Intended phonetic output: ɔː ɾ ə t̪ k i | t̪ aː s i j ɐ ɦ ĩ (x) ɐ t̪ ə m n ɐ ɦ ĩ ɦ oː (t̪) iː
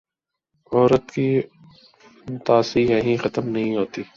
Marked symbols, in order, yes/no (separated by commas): yes, yes